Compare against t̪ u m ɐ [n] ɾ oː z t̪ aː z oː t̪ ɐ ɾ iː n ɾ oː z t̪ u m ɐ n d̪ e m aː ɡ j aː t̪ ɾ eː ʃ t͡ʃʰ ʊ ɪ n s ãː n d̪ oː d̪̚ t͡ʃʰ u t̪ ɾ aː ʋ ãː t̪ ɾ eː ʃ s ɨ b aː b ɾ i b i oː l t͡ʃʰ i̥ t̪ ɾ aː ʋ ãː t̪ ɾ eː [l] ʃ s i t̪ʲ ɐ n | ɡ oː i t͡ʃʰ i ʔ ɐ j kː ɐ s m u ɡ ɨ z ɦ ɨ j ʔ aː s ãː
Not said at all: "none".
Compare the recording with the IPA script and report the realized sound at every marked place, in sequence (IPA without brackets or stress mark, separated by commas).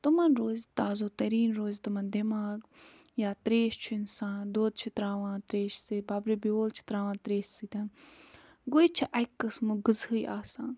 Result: n, none